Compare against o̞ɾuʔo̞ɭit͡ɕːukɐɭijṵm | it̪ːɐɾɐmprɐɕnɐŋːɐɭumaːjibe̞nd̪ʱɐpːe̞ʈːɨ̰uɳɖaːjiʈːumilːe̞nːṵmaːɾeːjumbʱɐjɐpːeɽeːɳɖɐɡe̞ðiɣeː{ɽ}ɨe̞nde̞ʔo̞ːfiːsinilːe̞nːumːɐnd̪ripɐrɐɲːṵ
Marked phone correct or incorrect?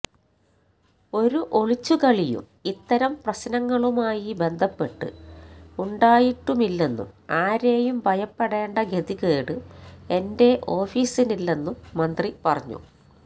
correct